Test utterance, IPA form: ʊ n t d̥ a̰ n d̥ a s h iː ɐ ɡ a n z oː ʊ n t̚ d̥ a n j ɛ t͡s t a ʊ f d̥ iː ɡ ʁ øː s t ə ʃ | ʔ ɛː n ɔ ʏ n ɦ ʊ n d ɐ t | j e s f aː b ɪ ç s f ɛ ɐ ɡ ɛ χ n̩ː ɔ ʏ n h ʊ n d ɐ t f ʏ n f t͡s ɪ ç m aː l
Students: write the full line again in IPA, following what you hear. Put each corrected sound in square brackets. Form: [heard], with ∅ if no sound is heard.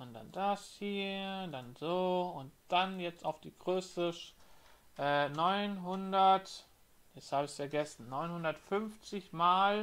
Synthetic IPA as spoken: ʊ n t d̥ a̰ n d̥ a s h iː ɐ [d] a n z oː ʊ n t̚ d̥ a n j ɛ t͡s t a ʊ f d̥ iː ɡ ʁ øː s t ə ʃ | ʔ ɛː n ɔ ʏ n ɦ ʊ n d ɐ t | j [ɛ] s [h] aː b ɪ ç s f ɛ ɐ ɡ ɛ [s] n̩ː ɔ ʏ n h ʊ n d ɐ t f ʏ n f t͡s ɪ ç m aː l